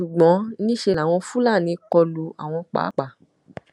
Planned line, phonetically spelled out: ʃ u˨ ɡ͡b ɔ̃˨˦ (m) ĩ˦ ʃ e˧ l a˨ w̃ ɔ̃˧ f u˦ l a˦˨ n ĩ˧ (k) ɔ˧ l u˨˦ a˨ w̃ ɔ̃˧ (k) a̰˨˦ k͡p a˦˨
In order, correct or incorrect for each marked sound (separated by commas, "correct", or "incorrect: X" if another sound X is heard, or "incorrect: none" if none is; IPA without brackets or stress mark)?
incorrect: n, correct, incorrect: k͡p